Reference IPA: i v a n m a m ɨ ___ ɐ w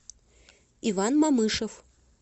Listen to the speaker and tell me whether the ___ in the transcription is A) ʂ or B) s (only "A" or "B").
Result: A